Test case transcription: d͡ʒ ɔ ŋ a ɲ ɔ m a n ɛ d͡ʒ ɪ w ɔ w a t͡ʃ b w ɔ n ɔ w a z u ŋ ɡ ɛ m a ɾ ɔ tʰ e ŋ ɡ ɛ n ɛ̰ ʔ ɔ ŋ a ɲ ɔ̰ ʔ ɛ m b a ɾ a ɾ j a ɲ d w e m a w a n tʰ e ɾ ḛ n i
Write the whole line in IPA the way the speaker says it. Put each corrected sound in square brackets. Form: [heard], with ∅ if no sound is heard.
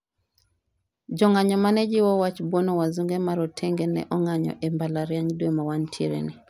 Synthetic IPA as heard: d͡ʒ ɔ ŋ a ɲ ɔ m a n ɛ d͡ʒ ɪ w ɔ w a t͡ʃ b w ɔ n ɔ w a z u ŋ ɡ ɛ m a ɾ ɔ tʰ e ŋ ɡ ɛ n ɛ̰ ʔ ɔ ŋ a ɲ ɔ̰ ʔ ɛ m b a [l] a ɾ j a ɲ d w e m a w a n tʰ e ɾ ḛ n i